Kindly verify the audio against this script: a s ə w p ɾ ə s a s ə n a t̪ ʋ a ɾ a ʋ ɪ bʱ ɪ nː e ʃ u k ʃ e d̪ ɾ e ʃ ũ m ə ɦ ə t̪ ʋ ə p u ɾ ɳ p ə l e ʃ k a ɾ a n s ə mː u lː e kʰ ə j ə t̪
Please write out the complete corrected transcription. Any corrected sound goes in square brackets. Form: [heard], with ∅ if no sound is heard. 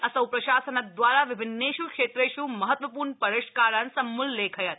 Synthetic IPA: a s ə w p ɾ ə [ʃ] a s ə n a [d̪] ʋ a ɾ a ʋ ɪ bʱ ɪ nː e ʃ u k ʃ e [t̪] ɾ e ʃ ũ m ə ɦ ə t̪ ʋ ə p u ɾ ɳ p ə [ɾ] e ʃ k a ɾ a n s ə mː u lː e kʰ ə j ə t̪